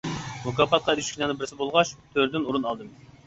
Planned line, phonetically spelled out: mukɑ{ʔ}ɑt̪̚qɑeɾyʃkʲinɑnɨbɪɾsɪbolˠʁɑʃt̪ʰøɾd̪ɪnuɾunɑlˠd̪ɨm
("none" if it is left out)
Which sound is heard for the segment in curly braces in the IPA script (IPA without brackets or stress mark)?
p